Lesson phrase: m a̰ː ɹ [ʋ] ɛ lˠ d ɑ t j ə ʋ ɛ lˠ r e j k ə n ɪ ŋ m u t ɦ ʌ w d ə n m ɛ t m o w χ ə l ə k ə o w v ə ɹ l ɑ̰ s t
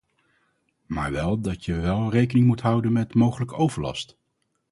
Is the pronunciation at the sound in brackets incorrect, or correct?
correct